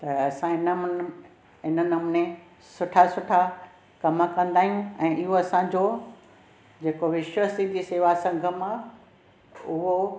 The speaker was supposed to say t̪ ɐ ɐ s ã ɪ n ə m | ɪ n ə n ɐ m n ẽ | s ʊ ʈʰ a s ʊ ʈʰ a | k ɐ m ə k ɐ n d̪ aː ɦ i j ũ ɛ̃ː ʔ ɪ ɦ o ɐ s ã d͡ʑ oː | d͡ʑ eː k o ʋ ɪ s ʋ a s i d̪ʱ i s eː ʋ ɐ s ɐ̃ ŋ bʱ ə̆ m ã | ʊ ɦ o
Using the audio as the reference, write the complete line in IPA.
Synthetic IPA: t̪ ɐ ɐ s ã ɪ n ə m | ɪ n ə n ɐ m n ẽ | s ʊ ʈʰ a s ʊ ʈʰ a | k ɐ m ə k ɐ̃ n d̪ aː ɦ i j ũ ɛ̃ː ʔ ɪ ɦ o ɐ s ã d͡ʑ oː | d͡ʑ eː k o ʋ ɪ ʃ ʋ ə s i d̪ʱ i s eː ʋ a s ɐ̃ ŋ ɡʱ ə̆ m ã | ʊ ɦ o